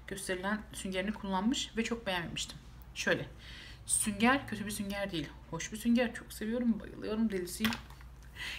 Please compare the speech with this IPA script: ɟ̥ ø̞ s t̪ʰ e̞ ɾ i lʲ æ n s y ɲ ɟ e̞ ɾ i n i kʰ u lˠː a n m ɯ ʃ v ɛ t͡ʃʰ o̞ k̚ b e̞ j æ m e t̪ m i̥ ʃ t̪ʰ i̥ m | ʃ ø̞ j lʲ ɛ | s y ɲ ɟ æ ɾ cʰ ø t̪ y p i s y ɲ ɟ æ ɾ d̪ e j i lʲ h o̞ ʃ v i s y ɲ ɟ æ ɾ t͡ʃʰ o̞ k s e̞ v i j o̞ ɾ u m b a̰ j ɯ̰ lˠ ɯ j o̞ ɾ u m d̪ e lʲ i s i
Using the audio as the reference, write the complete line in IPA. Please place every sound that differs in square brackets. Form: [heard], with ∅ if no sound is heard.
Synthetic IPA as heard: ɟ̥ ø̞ s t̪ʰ e̞ ɾ i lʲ æ n s y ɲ ɟ e̞ ɾ i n i kʰ u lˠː a n m ɯ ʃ v ɛ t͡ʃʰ o̞ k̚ b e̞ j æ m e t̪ m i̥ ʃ t̪ʰ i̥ m | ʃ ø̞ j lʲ ɛ | s y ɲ ɟ æ ɾ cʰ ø t̪ y [b] i s y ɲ ɟ æ ɾ d̪ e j i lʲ h o̞ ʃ [b] i s y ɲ ɟ æ ɾ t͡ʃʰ o̞ k s e̞ v i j o̞ ɾ u m b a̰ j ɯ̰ lˠ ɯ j o̞ ɾ u m d̪ e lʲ i s i